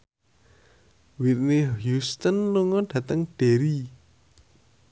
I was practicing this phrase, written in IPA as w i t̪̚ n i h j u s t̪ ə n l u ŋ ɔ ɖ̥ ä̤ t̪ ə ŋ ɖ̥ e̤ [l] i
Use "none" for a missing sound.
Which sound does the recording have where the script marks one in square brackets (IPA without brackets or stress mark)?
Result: ɾ